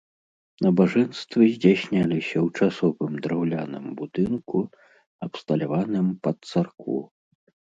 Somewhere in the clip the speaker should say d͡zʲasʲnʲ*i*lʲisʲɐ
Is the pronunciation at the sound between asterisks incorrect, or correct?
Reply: incorrect